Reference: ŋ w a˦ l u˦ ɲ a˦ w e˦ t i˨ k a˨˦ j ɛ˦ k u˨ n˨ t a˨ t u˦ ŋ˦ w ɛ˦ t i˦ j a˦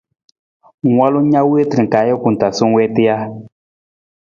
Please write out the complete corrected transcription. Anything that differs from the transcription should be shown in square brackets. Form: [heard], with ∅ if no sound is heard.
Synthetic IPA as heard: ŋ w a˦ l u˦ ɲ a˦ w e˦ t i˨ k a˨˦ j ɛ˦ k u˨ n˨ t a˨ [s] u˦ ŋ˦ w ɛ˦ t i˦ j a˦